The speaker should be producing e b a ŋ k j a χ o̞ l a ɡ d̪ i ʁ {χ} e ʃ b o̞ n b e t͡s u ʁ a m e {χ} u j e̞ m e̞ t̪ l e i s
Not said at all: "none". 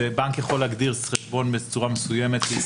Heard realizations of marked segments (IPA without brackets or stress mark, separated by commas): χ, s